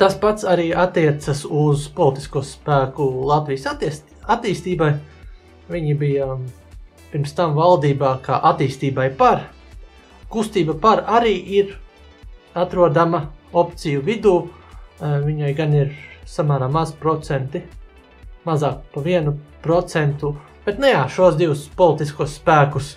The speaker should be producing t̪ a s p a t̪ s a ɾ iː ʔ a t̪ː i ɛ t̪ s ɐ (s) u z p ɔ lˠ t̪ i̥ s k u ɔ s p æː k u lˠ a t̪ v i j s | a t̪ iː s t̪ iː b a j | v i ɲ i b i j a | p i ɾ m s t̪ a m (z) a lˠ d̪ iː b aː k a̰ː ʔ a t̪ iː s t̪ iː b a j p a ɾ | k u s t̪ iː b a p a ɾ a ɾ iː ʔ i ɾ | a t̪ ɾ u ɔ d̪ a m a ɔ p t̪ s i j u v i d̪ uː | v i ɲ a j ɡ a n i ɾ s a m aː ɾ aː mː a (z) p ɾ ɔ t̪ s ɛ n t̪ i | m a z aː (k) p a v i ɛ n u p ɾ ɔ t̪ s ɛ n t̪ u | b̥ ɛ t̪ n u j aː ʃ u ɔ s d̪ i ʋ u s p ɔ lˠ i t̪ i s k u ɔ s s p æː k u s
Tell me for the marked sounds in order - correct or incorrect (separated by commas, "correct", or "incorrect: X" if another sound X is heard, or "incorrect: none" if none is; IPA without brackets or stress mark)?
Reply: correct, incorrect: v, correct, correct